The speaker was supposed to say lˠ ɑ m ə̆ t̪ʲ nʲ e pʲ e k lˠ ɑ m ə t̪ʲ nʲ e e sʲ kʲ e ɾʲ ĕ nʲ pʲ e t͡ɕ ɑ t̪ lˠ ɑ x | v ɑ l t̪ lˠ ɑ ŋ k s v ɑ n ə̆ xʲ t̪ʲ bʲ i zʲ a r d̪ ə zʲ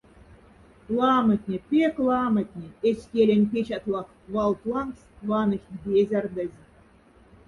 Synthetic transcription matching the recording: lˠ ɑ m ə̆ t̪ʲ nʲ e pʲ e k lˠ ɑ m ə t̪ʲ nʲ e e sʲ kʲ e lʲ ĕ nʲ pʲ e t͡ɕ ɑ t̪ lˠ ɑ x | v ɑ l t̪ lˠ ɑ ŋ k s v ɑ n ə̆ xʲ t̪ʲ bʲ e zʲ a r d̪ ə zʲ